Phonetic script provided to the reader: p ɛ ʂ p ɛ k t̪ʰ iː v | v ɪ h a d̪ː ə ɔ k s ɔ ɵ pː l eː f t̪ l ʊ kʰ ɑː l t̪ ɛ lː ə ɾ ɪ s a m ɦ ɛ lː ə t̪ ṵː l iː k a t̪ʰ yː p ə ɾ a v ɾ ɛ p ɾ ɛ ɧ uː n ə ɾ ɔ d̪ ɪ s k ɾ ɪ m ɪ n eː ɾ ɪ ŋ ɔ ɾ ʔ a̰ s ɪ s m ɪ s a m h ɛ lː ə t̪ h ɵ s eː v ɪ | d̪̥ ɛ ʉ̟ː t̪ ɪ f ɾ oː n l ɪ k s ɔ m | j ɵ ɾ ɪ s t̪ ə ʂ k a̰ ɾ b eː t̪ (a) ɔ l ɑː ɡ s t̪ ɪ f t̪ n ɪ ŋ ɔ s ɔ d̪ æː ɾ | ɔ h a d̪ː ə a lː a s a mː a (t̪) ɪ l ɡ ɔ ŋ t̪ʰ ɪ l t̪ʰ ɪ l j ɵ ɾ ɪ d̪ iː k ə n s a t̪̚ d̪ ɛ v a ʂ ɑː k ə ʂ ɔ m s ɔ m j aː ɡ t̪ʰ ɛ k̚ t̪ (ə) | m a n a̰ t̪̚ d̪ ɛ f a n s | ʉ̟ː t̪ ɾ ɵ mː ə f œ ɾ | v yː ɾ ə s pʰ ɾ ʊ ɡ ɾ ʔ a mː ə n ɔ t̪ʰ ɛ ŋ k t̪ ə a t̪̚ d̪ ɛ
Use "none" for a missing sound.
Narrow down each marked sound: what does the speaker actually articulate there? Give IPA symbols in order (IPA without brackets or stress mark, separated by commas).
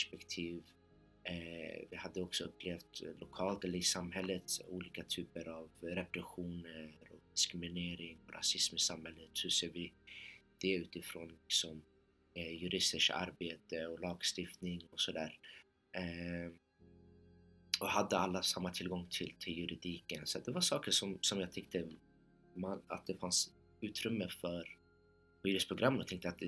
ə, t̪ʰ, ə